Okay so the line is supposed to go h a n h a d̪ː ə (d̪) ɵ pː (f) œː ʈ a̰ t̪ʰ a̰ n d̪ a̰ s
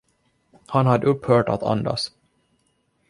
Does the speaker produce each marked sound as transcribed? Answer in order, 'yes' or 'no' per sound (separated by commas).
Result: no, no